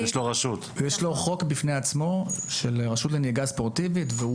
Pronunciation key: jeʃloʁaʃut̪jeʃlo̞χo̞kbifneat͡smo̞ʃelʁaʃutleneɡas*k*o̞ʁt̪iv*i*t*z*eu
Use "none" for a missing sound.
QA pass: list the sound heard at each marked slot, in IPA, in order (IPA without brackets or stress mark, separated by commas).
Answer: p, i, v